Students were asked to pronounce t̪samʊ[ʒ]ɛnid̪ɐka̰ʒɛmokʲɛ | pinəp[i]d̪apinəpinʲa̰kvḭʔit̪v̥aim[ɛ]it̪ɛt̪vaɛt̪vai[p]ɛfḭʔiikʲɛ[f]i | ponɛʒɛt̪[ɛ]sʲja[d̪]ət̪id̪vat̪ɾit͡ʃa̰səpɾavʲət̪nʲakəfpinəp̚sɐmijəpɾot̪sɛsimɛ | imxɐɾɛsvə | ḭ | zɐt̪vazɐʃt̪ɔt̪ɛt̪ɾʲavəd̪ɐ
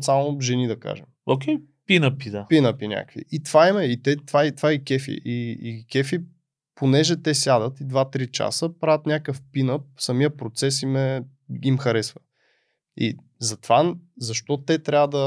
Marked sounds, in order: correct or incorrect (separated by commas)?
correct, correct, correct, incorrect, correct, correct, correct